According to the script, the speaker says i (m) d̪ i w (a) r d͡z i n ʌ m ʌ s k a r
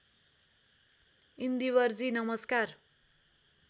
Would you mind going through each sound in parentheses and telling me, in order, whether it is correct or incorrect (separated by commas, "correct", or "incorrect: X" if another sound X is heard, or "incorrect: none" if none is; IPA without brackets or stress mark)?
incorrect: n, incorrect: ʌ